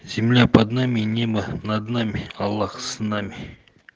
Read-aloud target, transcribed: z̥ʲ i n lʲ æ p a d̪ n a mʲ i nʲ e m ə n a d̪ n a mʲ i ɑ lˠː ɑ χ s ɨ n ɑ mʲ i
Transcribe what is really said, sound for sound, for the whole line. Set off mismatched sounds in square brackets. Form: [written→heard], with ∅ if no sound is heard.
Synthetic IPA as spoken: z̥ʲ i [n→m] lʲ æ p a d̪ n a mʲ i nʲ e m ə n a d̪ n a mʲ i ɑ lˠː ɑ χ s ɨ n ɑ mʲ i